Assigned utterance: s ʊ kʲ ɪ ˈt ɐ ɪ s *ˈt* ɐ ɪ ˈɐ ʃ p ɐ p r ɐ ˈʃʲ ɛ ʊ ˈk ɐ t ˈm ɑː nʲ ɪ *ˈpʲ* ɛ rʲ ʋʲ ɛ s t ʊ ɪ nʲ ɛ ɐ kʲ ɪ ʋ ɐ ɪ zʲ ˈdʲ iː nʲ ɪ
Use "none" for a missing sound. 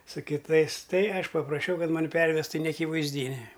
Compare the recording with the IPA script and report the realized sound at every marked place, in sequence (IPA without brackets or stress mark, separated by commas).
t, pʲ